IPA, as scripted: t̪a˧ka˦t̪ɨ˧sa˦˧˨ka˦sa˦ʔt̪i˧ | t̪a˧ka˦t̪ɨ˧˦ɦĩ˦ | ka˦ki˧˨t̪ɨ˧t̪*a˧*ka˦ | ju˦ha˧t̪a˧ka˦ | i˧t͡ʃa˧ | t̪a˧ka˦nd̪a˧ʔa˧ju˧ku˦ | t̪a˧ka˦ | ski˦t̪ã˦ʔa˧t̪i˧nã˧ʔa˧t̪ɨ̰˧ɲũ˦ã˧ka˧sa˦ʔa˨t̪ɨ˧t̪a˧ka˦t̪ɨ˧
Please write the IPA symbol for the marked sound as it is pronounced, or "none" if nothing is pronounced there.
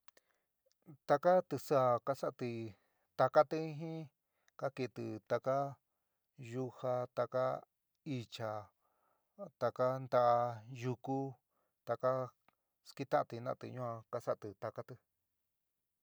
a˧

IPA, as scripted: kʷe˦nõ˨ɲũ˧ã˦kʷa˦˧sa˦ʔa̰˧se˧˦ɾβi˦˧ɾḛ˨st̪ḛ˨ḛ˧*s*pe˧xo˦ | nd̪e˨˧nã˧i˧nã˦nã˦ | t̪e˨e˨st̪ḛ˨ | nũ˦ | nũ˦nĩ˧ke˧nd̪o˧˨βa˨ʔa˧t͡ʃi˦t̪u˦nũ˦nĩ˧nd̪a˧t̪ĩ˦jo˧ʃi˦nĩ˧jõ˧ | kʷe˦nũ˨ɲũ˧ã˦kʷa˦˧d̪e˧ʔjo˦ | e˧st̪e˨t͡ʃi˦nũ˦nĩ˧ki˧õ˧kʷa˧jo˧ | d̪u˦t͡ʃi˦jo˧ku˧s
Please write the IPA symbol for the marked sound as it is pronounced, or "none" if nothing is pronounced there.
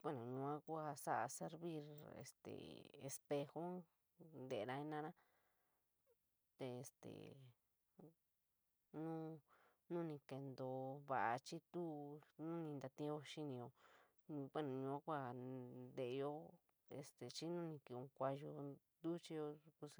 s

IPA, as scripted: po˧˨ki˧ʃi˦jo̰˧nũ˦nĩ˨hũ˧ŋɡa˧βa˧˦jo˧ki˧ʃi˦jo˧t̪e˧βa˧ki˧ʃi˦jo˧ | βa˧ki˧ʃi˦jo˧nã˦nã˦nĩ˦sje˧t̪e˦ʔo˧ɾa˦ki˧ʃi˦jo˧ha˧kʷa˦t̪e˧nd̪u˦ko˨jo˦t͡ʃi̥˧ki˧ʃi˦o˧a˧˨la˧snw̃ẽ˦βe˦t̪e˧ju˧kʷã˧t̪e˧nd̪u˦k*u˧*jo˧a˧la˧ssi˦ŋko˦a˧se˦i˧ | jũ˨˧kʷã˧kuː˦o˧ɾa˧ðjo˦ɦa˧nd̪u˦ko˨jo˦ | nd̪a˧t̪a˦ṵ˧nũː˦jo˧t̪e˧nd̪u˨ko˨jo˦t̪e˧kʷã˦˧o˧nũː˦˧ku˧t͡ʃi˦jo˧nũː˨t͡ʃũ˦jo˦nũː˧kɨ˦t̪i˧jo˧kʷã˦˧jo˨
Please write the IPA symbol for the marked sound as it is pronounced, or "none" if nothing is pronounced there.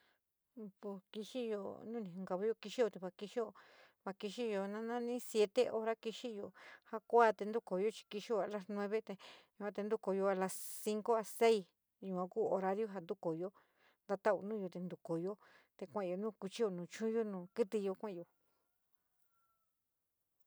o˧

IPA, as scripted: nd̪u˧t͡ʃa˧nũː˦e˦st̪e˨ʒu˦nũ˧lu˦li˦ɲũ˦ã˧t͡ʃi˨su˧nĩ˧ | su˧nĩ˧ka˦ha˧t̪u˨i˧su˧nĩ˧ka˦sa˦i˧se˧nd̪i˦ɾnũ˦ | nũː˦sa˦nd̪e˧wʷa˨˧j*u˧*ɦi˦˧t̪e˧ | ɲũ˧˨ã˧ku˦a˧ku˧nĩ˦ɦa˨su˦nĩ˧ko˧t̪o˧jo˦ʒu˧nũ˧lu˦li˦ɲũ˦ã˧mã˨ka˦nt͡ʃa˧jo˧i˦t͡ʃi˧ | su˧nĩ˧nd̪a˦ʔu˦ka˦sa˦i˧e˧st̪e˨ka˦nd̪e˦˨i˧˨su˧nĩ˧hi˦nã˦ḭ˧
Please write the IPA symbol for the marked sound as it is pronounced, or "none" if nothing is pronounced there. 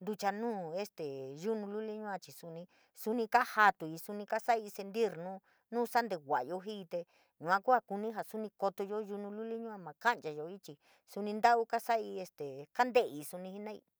o˧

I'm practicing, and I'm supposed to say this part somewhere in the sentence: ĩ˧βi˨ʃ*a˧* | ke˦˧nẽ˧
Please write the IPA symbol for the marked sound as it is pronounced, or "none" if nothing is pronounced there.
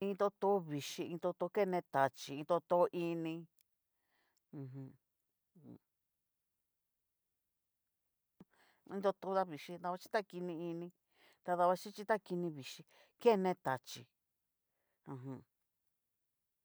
i˧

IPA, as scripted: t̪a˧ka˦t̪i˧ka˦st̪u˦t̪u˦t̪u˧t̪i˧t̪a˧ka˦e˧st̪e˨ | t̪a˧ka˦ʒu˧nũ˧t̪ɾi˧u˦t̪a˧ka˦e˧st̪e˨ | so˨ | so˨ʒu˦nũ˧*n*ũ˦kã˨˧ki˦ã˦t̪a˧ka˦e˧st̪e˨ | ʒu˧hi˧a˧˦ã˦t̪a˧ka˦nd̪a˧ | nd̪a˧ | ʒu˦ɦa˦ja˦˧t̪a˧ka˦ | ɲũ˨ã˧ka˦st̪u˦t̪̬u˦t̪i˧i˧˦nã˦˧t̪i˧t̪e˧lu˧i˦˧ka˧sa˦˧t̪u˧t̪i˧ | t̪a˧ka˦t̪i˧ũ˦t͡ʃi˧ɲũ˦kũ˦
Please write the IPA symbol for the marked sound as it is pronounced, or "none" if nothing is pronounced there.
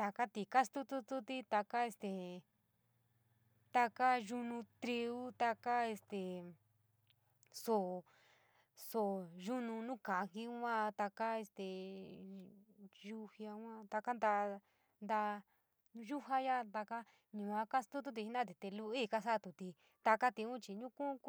n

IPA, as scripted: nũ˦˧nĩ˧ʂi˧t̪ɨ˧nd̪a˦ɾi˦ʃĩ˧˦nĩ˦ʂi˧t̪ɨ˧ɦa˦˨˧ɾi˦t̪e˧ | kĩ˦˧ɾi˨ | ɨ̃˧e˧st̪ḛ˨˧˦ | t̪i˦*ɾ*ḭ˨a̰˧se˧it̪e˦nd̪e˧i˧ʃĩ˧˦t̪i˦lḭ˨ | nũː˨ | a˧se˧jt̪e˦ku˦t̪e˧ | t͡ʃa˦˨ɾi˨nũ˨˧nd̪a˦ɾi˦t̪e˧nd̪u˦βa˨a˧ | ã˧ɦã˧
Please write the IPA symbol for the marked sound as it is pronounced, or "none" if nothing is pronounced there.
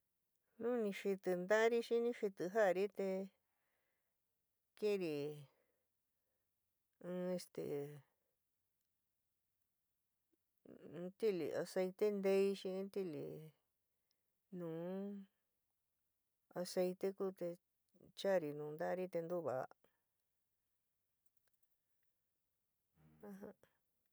l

